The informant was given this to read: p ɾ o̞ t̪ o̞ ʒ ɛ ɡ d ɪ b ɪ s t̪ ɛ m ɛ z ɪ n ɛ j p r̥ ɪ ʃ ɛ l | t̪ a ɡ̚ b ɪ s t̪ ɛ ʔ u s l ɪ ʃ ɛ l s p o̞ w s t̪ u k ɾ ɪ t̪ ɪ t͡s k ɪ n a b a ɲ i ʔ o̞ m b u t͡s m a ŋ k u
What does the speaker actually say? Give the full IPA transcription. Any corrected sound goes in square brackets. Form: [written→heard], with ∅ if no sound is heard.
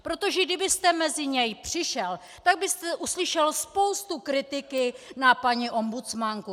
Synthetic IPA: p ɾ o̞ t̪ o̞ ʒ ɛ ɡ d ɪ b ɪ s t̪ ɛ m ɛ z ɪ [n→ɲ] ɛ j p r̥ ɪ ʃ ɛ l | t̪ a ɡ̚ b ɪ s t̪ ɛ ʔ u s l ɪ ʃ ɛ l s p o̞ w s t̪ u k ɾ ɪ t̪ ɪ [t͡s→∅] k ɪ n a [b→p] a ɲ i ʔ o̞ m b u t͡s m a ŋ k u